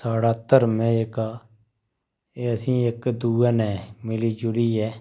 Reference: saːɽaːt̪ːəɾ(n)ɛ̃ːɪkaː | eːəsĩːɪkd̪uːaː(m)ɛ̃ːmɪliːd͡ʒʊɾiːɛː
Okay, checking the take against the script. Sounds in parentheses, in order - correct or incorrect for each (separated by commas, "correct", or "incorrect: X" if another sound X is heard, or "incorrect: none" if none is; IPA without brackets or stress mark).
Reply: incorrect: m, incorrect: n